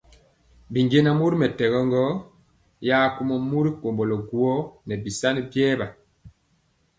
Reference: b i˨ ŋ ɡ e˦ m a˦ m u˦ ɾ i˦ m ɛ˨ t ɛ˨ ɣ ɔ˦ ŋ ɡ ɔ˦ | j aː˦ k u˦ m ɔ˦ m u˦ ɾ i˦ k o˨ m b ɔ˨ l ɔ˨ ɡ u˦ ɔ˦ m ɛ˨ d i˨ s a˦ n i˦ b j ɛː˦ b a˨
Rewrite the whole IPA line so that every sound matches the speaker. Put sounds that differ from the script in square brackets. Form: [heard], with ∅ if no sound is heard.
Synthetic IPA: b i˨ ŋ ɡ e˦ [n] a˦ m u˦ ɾ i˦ m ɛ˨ t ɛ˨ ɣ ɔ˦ ŋ ɡ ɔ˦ | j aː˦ k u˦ m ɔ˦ m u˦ ɾ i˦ k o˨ m b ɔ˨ l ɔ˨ ɡ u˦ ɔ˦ [n] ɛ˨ [b] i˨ s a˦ n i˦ b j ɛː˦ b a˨